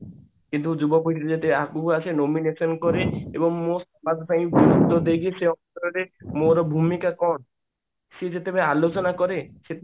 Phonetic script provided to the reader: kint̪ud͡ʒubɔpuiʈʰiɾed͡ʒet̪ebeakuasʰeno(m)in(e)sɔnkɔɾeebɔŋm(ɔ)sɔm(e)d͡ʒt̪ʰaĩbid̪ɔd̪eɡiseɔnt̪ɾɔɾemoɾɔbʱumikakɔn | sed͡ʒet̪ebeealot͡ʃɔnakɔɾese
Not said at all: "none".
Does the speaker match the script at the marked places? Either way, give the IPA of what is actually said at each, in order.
m, e, o, a

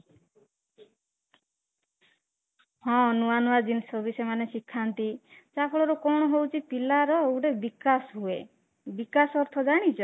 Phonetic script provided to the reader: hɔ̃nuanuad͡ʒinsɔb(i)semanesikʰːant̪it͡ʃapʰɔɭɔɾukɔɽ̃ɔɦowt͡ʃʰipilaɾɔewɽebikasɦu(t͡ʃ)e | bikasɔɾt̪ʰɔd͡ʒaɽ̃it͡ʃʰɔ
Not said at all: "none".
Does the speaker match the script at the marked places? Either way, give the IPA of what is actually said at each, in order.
i, none

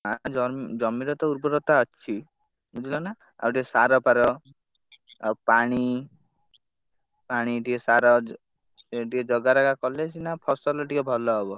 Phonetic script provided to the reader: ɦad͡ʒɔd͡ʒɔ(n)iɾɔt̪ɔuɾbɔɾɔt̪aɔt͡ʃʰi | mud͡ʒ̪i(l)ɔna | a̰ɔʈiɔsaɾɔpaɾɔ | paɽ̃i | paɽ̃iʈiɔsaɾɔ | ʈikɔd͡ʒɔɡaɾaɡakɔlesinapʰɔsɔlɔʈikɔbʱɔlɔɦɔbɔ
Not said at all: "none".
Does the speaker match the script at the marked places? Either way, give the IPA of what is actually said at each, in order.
m, l

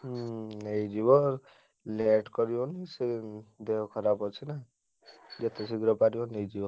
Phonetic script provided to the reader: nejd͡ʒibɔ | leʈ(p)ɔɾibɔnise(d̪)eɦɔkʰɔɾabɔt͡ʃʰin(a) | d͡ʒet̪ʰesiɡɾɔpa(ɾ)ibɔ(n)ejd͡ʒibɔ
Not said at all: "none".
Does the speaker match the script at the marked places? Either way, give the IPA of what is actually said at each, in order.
k, d̪, a, ɾ, n

